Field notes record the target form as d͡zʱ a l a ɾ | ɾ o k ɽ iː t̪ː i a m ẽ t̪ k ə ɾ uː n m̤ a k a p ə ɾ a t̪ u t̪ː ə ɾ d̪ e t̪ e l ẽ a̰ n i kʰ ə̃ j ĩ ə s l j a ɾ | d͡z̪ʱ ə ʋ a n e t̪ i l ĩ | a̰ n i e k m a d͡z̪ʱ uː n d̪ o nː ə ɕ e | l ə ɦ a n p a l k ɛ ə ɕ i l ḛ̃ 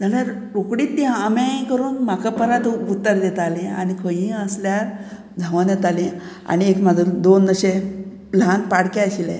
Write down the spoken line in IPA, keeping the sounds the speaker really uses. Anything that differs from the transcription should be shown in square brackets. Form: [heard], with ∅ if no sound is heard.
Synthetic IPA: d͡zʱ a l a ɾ | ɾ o k ɽ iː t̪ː i a m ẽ [∅] k ə ɾ uː n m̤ a k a p ə ɾ a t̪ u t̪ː ə ɾ d̪ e t̪ [a] l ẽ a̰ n i kʰ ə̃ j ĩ ə s l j a ɾ | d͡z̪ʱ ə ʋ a n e t̪ [a] l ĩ | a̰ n i e k m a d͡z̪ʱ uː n d̪ o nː ə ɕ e | l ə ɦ a n p a [ɽ] k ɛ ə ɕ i l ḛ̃